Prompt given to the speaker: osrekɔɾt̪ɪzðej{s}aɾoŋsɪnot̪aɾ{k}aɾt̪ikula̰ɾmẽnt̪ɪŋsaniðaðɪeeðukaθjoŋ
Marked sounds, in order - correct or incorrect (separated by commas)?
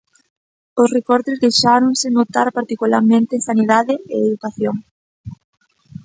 incorrect, incorrect